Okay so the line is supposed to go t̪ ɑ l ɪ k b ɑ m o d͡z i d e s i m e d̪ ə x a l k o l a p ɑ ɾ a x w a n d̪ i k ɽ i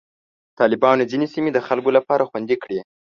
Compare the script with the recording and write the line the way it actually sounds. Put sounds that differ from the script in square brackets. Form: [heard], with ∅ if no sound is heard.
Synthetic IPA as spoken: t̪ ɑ l ɪ [∅] b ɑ [n] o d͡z i [n] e s i m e d̪ ə x a l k o l a p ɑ ɾ a x w a n d̪ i k ɽ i

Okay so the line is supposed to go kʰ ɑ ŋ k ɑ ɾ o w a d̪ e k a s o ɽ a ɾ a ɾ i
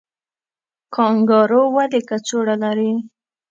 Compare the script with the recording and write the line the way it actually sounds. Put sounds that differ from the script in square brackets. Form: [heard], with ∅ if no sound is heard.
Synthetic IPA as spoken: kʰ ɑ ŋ [ɡ] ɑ ɾ o w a d̪ e k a [t͡s] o ɽ a [l] a ɾ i

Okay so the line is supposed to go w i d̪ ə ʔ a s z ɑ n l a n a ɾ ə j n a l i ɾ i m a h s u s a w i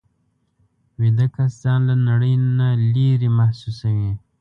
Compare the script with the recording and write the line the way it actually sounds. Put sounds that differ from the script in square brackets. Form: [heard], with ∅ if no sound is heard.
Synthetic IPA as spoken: w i d̪ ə [k] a s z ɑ n l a n a [ɽ] ə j n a l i ɾ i m a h s u s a w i

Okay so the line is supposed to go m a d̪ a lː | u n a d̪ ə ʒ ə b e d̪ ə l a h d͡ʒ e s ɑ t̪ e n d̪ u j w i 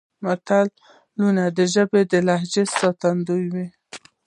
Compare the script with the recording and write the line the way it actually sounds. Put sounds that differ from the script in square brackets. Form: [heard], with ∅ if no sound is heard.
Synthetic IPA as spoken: m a [t̪] a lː | u n a d̪ ə ʒ ə b e d̪ ə l a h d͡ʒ e s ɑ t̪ [a] n d̪ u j w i

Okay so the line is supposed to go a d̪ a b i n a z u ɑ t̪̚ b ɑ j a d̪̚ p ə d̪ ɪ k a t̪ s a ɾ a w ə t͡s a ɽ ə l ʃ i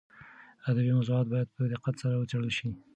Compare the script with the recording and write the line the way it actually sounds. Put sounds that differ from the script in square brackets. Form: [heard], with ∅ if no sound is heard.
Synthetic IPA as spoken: a d̪ a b i [m] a z u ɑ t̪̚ b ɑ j a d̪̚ p ə d̪ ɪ [q] a t̪ s a ɾ a w ə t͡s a ɽ ə l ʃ i

